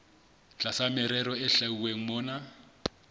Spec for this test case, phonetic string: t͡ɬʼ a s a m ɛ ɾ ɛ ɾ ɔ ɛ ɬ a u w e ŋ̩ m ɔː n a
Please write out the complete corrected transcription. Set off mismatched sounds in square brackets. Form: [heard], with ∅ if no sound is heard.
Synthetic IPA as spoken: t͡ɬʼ a s a m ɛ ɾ ɛ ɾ ɔ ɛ ɬ a u w e ŋ̩ m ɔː n a

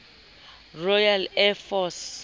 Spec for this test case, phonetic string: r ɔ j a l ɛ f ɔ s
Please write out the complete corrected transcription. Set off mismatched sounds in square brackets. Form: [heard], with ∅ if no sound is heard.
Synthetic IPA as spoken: r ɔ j a l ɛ f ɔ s

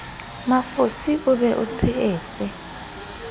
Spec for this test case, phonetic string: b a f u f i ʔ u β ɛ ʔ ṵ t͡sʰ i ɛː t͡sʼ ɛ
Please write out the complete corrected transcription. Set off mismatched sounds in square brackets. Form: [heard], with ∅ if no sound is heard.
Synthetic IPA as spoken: [m] a f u [s] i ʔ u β ɛ ʔ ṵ t͡sʰ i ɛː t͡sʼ ɛ

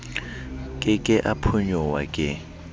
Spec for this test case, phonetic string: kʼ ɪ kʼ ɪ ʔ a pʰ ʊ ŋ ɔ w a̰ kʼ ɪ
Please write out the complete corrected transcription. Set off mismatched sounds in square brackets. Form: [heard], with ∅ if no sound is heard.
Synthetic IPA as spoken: kʼ ɪ kʼ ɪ ʔ a pʰ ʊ [ɲ] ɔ w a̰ kʼ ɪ

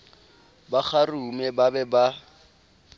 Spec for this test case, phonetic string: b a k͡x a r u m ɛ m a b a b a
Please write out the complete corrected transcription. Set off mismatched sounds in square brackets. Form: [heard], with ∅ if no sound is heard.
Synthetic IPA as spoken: b a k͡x a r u m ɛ [b] a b [ɛ] b a

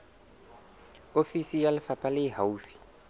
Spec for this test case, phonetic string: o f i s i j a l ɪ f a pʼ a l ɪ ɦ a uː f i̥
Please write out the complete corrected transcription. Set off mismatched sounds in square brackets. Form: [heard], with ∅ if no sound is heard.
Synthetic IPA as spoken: o f i s i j a l ɪ f a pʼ a l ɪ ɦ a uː f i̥

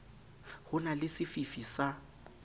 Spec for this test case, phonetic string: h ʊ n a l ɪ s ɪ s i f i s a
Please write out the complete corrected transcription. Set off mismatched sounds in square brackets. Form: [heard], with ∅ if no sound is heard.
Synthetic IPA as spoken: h ʊ n a l ɪ s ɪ [f] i f i s a

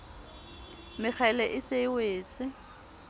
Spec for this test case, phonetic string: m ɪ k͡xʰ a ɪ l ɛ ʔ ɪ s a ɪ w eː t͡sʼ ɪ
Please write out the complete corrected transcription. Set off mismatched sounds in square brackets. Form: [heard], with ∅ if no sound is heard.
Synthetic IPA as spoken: m ɪ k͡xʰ a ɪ l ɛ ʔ ɪ s [e] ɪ w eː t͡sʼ ɪ

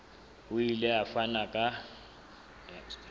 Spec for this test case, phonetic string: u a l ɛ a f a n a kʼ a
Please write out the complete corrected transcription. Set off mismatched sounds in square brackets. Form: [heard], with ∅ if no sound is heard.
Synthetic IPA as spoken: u [i] l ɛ a f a n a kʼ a

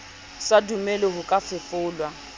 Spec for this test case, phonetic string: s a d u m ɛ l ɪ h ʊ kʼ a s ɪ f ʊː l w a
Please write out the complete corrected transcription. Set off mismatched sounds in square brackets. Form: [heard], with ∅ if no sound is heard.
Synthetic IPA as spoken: s a d u m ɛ l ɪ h ʊ kʼ a [f] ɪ f ʊː l w a

